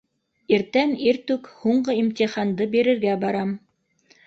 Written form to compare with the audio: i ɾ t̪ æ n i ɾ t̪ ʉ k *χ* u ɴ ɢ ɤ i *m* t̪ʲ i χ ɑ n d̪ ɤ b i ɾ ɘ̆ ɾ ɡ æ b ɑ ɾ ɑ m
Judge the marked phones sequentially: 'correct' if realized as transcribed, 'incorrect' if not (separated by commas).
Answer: incorrect, correct